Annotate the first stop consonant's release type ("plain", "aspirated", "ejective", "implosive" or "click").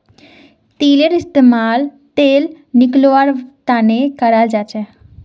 plain